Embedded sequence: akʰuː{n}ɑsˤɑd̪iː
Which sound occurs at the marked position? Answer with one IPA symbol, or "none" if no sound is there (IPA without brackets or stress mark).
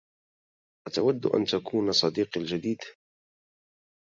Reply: n